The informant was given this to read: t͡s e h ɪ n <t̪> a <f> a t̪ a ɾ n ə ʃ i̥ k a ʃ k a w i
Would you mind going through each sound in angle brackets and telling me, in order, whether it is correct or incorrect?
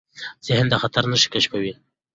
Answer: incorrect, incorrect

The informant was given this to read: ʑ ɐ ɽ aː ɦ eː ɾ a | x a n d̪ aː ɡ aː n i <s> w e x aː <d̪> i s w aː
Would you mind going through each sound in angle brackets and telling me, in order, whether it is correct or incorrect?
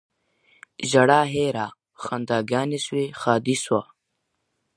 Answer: correct, correct

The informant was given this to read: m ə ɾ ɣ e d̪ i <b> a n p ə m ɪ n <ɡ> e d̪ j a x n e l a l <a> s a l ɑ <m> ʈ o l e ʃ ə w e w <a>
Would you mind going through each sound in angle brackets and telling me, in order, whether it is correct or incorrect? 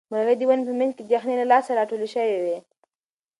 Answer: incorrect, incorrect, incorrect, incorrect, incorrect

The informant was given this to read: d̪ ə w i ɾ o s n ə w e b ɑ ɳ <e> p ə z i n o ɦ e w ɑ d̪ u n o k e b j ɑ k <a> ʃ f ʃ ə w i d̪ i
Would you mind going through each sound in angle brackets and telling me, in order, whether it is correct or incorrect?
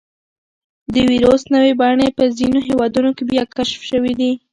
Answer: correct, correct

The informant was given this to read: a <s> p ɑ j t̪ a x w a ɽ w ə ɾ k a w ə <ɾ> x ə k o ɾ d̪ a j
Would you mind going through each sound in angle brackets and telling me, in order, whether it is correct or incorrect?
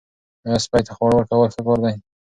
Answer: correct, incorrect

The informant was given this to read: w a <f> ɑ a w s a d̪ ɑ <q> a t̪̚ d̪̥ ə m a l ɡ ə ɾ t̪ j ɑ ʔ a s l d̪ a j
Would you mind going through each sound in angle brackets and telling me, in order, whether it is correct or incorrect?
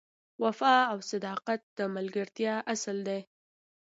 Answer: correct, correct

